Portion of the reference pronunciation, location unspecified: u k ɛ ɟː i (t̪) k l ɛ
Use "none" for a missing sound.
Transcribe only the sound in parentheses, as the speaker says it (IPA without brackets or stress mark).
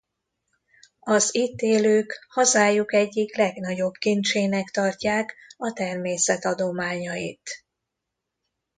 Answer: none